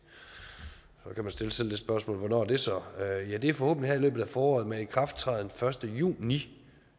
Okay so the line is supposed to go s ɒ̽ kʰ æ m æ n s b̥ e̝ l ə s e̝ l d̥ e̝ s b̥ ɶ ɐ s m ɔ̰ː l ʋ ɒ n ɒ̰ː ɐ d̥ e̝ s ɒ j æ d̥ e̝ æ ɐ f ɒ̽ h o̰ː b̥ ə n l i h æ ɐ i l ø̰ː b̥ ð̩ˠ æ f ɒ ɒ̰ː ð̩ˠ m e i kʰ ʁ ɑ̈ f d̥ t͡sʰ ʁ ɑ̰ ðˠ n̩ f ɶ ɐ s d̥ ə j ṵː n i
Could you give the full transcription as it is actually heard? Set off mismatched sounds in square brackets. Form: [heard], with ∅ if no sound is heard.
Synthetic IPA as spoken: s ɒ̽ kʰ æ m æ n s [d̥] e̝ l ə s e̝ l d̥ e̝ s b̥ ɶ ɐ s m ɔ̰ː l ʋ ɒ n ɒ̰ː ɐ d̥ e̝ s ɒ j æ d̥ e̝ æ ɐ f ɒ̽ h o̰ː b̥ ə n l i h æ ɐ i l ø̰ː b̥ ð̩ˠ æ f [ɒː] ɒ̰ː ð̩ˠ m e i kʰ ʁ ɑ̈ f d̥ t͡sʰ ʁ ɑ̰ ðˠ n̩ f ɶ ɐ s d̥ ə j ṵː n i